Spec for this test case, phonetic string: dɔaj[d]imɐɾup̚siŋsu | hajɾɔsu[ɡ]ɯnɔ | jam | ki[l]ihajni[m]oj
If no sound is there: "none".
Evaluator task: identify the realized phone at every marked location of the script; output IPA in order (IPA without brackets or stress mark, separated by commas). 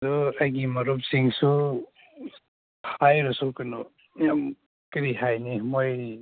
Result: ɡ, k, ɾ, m